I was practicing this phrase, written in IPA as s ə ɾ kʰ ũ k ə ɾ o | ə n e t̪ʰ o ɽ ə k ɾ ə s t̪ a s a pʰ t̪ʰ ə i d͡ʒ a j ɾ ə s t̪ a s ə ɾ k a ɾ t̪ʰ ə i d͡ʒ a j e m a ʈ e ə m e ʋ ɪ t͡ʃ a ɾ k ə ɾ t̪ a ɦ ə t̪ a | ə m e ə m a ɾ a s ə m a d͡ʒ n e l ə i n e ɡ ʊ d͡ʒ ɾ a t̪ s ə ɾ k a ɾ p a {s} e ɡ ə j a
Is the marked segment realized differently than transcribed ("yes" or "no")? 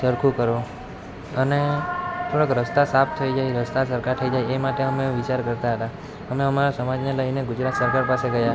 no